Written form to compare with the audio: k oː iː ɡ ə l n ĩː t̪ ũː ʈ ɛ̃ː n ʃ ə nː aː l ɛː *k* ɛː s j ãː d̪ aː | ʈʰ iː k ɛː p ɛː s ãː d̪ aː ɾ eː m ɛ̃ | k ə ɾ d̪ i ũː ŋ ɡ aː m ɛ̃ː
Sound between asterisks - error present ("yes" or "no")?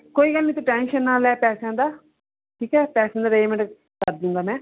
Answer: yes